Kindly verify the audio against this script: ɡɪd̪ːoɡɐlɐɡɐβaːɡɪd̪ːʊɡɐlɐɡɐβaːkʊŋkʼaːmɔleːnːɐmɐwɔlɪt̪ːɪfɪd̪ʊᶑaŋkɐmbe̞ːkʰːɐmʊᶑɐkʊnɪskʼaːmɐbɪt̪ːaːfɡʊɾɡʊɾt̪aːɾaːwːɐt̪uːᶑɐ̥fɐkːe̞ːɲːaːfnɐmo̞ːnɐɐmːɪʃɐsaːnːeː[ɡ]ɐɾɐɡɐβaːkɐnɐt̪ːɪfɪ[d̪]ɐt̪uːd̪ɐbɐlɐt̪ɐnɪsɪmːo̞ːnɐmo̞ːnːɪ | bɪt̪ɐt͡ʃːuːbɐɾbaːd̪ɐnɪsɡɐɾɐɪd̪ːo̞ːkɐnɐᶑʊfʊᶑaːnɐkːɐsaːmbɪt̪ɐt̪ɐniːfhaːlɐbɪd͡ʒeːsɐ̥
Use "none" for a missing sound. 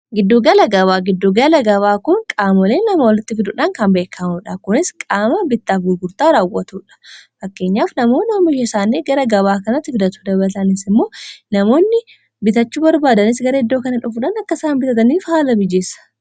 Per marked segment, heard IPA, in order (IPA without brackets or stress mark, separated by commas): ɡ, d̪